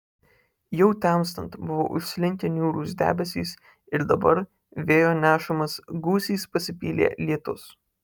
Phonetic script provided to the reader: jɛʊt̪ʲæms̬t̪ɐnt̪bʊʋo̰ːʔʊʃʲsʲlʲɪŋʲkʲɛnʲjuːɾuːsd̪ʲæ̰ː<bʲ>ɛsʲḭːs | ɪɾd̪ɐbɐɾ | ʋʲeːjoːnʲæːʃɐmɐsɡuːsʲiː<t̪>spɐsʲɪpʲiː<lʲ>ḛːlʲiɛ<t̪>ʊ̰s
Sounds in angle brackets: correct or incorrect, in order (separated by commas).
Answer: correct, incorrect, correct, correct